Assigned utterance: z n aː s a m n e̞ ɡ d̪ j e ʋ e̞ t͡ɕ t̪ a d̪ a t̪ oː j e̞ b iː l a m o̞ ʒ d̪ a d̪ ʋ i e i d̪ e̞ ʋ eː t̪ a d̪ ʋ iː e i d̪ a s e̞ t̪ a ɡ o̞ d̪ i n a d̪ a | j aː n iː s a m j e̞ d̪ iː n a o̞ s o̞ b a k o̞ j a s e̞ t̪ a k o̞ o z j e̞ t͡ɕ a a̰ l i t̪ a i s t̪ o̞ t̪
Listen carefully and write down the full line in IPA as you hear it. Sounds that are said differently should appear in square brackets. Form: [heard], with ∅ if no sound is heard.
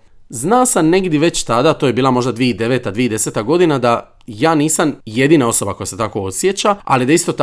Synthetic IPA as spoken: z n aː s a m n e̞ ɡ d̪ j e ʋ e̞ t͡ɕ t̪ a d̪ a t̪ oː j e̞ b iː l a m o̞ ʒ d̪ a d̪ ʋ i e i d̪ e̞ ʋ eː t̪ a d̪ ʋ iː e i d̪ [e] s e̞ t̪ a ɡ o̞ d̪ i n a d̪ a | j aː n iː s a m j e̞ d̪ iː n a o̞ s o̞ b a k o̞ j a s e̞ t̪ a k o̞ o [s] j e̞ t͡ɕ a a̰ l i [d̪] a i s t̪ o̞ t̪